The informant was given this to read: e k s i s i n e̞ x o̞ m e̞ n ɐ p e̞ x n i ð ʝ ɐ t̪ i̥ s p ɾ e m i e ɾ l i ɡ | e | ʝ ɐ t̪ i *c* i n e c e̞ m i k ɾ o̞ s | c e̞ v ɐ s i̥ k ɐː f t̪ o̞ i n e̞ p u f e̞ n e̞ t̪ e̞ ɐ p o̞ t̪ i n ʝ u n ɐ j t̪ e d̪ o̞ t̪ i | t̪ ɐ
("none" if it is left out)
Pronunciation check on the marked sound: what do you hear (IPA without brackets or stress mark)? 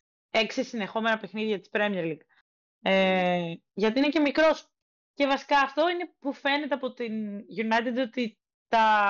none